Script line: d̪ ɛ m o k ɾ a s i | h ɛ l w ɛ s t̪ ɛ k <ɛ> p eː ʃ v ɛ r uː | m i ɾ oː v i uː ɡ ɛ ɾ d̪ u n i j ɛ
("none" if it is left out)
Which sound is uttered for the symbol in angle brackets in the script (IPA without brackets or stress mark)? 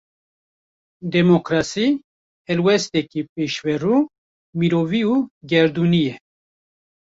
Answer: i